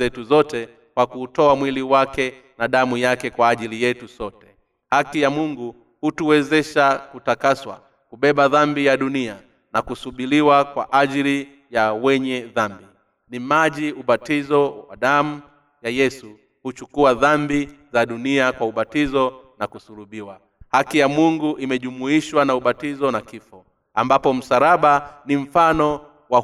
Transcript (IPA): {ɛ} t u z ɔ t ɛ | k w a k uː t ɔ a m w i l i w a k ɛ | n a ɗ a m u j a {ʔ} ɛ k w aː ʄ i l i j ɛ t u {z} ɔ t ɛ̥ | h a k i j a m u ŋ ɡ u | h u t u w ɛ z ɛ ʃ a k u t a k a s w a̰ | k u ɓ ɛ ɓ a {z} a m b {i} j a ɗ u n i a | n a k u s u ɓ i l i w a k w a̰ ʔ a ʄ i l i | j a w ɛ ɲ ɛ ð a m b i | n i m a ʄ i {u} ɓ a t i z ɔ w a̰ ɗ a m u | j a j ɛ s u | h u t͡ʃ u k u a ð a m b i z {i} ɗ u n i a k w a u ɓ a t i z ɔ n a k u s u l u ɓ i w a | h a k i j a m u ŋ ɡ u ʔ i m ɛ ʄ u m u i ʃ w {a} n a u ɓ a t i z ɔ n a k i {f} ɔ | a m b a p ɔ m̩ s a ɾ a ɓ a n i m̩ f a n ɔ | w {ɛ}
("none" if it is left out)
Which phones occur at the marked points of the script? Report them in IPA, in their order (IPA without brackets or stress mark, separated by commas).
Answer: ɛ, k, s, ð, i, u, a, a, f, a